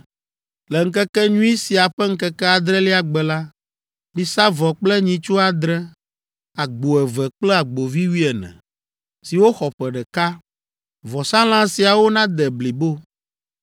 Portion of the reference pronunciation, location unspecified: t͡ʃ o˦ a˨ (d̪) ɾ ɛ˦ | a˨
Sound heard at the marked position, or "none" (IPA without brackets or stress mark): d̪